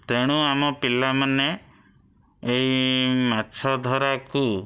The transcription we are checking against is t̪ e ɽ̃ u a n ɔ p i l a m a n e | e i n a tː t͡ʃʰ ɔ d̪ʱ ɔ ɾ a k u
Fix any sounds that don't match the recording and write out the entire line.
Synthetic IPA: t̪ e ɽ̃ u a m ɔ p i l a m a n e | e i m a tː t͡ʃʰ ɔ d̪ʱ ɔ ɾ a k u